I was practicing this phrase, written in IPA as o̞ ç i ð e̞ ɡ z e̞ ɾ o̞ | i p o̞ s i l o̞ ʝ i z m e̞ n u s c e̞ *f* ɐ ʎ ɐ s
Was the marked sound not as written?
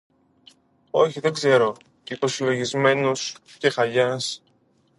yes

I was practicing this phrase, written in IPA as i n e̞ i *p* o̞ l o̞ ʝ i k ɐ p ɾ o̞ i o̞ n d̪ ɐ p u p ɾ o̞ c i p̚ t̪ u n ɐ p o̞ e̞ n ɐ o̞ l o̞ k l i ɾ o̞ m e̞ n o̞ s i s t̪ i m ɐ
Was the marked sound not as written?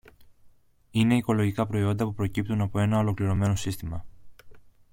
yes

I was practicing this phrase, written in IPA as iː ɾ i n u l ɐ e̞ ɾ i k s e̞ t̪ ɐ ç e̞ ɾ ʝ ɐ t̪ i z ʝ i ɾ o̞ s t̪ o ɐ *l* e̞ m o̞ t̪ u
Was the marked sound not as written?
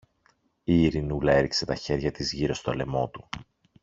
no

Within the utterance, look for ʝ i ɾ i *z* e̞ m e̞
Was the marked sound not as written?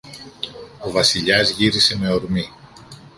yes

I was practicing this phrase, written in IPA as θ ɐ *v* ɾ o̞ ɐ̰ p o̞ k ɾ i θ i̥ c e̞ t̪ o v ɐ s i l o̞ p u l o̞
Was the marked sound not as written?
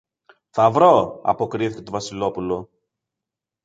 no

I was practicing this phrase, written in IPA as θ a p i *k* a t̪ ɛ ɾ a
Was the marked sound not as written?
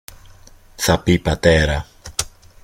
yes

